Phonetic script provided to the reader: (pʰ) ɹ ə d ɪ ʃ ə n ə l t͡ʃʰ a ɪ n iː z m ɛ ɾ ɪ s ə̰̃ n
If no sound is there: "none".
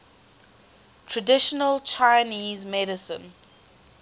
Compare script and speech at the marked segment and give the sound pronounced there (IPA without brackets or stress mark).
tʰ